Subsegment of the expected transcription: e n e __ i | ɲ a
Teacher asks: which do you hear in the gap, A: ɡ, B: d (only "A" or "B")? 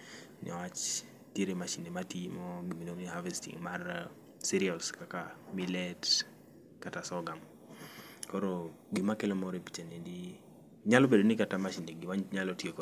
B